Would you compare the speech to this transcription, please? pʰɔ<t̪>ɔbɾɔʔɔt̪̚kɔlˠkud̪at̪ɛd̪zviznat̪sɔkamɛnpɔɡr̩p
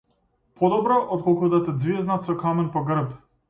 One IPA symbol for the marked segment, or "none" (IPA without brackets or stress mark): d̪